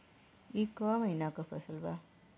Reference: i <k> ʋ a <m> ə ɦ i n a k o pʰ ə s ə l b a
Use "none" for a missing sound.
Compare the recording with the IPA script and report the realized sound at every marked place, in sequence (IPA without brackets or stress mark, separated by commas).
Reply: k, m